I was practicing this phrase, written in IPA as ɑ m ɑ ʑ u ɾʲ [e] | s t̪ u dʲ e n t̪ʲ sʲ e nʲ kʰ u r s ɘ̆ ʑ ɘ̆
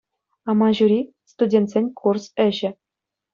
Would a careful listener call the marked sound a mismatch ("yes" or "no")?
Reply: yes